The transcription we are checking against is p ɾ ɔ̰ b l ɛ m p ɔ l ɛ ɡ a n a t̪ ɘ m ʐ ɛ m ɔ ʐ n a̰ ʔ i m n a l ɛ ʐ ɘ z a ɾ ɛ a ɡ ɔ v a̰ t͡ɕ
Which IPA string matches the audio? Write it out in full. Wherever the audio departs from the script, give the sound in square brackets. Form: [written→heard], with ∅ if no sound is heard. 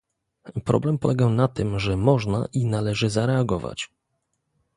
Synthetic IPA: p ɾ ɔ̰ b l ɛ m p ɔ l ɛ ɡ a n a t̪ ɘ m ʐ ɛ m ɔ ʐ n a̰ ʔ i [m→∅] n a l ɛ ʐ ɘ z a ɾ ɛ a ɡ ɔ v a̰ t͡ɕ